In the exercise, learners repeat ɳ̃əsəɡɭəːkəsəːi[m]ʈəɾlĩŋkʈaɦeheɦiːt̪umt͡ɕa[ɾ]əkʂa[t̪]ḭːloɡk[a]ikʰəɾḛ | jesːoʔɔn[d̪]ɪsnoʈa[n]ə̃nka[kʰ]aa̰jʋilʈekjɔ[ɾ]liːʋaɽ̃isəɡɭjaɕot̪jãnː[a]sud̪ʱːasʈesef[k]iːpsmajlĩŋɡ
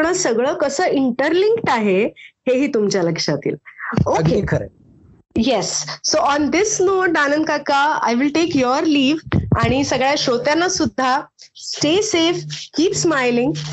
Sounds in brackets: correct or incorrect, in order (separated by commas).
incorrect, incorrect, correct, incorrect, correct, correct, incorrect, correct, correct, correct